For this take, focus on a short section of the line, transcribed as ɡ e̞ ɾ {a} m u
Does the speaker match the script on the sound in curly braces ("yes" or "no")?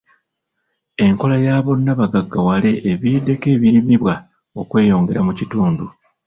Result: yes